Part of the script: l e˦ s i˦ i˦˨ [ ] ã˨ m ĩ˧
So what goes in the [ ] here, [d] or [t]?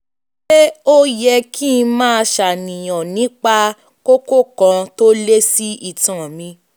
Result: t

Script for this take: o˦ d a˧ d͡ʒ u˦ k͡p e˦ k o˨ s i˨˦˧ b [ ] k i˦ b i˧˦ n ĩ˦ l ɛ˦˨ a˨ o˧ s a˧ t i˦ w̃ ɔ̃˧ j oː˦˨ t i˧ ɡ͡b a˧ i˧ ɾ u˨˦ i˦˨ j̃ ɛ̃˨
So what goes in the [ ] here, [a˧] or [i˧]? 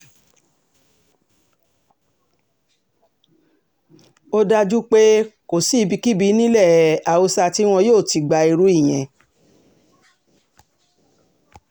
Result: i˧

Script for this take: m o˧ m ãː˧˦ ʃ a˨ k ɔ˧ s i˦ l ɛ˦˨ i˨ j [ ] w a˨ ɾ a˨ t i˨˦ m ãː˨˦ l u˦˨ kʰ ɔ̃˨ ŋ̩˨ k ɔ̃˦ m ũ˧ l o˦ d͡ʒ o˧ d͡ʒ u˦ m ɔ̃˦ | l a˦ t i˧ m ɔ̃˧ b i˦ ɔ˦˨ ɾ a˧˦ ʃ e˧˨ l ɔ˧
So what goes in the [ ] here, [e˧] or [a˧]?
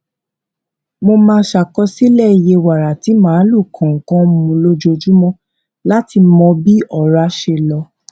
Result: e˧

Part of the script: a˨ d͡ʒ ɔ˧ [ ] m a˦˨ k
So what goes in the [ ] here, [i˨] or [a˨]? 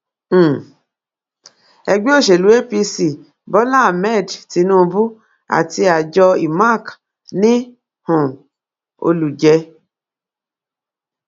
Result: i˨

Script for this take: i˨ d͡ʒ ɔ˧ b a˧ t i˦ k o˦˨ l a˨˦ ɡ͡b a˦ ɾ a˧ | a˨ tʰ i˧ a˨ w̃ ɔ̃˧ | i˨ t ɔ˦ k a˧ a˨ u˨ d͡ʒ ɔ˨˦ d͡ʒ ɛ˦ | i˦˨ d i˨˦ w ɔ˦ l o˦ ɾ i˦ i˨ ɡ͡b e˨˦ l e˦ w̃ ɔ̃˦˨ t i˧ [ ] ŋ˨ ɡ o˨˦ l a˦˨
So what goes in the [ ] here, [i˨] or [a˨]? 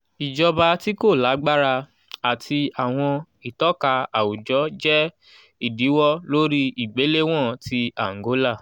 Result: a˨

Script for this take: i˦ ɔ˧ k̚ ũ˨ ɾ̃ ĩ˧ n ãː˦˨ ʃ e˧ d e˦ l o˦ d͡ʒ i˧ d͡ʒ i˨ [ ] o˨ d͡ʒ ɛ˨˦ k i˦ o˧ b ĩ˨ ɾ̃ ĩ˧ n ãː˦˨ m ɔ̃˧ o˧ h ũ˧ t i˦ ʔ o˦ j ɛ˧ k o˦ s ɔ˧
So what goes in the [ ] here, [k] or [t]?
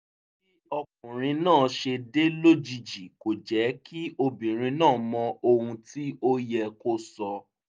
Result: k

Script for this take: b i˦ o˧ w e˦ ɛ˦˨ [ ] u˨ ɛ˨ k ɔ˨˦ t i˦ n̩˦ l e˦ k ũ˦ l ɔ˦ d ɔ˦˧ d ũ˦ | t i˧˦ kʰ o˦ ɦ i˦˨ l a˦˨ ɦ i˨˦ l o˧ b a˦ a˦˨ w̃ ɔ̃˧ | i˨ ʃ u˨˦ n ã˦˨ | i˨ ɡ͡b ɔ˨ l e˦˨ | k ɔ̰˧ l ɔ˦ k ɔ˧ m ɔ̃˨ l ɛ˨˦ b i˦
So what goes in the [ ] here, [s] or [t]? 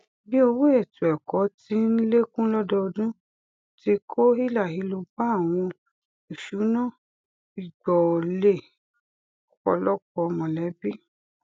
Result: t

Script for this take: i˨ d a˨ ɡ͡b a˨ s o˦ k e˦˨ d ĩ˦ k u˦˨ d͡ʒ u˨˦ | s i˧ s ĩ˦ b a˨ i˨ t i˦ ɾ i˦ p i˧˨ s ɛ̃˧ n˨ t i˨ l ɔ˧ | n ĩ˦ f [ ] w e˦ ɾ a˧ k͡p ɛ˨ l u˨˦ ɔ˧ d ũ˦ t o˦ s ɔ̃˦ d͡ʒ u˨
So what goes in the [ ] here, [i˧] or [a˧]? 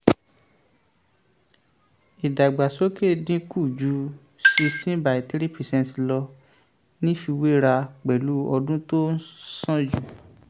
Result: i˧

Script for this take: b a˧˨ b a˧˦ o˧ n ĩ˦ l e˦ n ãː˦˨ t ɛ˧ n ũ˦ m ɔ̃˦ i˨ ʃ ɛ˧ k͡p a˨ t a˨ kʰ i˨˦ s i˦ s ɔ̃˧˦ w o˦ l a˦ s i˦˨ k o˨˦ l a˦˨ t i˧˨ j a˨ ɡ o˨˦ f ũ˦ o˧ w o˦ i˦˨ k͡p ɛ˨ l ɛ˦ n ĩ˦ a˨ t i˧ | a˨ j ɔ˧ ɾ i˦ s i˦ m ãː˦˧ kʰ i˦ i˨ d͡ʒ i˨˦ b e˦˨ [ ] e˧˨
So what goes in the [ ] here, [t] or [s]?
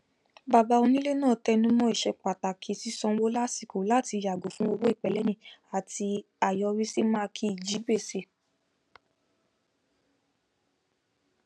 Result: s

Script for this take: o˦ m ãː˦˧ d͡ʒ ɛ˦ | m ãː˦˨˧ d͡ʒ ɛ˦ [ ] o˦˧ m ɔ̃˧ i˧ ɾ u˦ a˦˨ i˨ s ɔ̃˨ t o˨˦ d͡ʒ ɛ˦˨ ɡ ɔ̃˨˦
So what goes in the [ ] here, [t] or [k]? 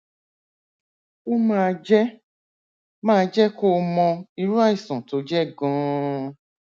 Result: k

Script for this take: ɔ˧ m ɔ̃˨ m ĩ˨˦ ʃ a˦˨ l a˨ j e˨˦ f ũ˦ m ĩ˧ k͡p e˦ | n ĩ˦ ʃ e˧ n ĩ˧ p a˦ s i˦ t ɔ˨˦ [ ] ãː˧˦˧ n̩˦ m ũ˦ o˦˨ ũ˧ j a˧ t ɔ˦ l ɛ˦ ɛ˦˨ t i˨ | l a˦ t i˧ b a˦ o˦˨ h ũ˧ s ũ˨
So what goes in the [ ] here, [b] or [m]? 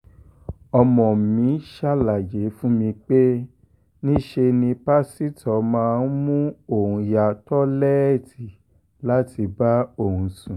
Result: m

